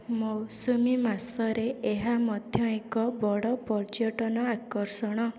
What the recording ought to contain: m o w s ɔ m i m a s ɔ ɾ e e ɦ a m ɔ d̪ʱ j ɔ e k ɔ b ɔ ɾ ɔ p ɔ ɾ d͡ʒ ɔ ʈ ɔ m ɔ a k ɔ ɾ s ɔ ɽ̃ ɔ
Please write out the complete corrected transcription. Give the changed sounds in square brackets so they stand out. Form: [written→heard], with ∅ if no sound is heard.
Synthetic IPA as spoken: m o w s [ɔ→u] m i m a s ɔ ɾ e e ɦ a m ɔ d̪ʱ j ɔ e k ɔ b ɔ [ɾ→ɽ] ɔ p ɔ ɾ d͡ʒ ɔ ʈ ɔ [m→n] ɔ a k ɔ ɾ s ɔ ɽ̃ ɔ